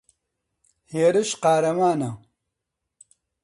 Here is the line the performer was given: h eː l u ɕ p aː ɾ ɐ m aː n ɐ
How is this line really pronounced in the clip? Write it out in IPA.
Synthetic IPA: h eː ɾ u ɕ q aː ɾ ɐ m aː n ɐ